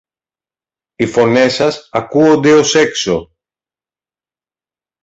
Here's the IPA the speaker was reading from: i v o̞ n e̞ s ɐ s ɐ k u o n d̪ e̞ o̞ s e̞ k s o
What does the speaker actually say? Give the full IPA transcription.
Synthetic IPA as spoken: i f o̞ n e̞ s ɐ s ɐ k u o n d̪ e̞ o̞ s e̞ k s o